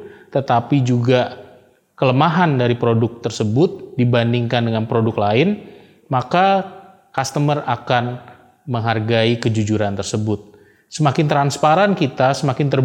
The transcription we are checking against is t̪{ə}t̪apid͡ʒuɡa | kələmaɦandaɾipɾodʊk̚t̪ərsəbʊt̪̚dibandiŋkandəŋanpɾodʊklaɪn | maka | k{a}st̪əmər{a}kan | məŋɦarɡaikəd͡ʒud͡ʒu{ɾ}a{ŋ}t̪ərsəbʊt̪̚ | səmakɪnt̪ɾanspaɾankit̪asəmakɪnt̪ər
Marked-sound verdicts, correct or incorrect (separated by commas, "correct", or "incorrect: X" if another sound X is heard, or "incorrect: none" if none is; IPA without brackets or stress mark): correct, correct, correct, correct, incorrect: n